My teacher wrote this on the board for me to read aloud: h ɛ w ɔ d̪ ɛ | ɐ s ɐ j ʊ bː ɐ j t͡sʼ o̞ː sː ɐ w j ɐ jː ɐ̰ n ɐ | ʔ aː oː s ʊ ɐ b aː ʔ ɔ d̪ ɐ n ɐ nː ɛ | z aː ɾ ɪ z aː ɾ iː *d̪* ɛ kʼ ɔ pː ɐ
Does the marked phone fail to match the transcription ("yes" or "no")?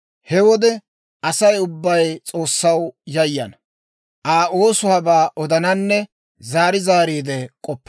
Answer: no